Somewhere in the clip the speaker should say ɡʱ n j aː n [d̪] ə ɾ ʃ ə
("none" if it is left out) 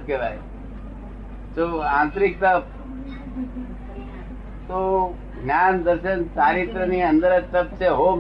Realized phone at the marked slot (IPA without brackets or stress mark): d̪